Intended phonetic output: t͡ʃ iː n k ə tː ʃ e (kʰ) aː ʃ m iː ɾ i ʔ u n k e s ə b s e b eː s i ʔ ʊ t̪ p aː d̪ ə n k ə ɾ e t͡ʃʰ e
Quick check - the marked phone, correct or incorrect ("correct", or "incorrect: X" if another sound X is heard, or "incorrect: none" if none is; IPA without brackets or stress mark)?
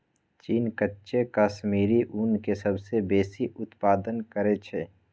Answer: incorrect: k